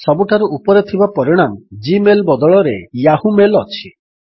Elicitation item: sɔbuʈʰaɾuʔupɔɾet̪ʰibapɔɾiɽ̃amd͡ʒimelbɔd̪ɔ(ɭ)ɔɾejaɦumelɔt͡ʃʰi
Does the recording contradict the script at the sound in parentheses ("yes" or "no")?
no